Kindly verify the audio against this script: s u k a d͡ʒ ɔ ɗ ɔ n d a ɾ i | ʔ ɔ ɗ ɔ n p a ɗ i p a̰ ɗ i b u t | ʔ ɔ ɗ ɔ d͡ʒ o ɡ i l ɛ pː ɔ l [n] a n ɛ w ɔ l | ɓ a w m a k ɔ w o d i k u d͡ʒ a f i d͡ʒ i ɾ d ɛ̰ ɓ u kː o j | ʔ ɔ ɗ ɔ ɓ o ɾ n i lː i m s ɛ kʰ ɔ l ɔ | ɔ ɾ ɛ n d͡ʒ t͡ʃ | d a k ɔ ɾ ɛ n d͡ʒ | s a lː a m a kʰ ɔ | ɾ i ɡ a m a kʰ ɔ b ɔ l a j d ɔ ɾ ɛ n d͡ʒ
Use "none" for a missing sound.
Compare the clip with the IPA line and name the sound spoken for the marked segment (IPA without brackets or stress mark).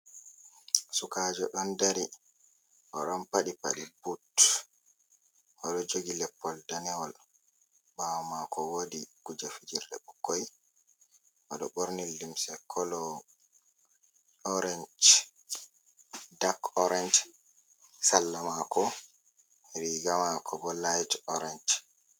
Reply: d